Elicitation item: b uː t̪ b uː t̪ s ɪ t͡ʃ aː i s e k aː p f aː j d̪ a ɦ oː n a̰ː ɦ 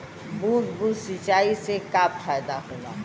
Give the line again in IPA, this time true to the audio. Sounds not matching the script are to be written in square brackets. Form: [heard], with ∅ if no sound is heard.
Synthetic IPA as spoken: b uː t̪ b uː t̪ s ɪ t͡ʃ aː i s e k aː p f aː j d̪ a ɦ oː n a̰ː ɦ